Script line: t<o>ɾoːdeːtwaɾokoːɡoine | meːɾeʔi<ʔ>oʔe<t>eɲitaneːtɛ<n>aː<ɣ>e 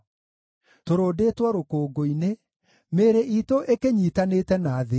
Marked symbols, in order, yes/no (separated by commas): yes, no, no, yes, no